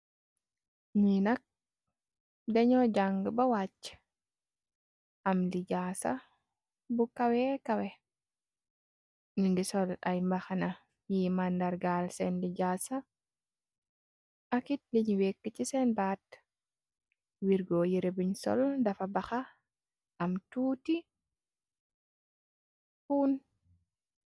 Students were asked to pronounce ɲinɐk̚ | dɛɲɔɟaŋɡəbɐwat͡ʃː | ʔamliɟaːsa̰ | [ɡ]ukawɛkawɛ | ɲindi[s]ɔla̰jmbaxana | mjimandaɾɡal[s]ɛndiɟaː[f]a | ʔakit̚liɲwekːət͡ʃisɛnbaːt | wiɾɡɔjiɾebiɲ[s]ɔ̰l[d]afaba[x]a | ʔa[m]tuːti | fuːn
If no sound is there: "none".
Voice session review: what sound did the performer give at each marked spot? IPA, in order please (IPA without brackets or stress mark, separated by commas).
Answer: b, s, s, s, s, d, x, m